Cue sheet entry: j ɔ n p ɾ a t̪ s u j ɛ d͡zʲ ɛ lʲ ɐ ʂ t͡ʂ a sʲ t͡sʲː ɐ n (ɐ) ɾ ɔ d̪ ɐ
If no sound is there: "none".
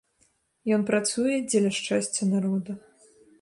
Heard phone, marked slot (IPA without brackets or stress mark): a